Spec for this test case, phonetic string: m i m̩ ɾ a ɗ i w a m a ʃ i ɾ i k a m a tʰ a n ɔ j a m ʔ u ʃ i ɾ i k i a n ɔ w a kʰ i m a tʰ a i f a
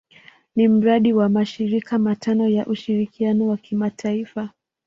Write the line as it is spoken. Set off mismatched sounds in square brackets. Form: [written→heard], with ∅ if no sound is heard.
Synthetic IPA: [m→n] i m̩ ɾ a ɗ i w a m a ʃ i ɾ i k a m a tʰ a n ɔ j a [m→∅] ʔ u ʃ i ɾ i k i a n ɔ w a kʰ i m a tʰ a i f a